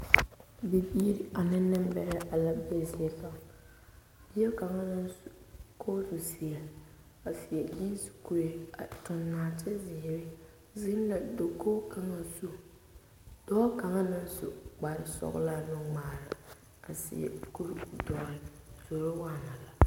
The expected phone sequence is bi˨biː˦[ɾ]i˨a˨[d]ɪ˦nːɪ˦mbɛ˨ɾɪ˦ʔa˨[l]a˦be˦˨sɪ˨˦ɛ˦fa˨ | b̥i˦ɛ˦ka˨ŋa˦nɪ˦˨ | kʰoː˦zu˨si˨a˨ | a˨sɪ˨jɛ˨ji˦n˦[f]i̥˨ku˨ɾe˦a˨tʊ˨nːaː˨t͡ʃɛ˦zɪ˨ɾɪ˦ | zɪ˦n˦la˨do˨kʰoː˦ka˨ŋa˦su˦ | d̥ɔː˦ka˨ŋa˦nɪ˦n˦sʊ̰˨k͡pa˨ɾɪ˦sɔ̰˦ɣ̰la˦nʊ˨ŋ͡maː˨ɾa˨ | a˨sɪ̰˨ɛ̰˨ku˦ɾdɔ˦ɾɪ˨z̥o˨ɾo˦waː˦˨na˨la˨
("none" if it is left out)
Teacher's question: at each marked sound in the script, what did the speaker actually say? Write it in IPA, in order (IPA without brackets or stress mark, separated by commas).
ɾ, n, l, s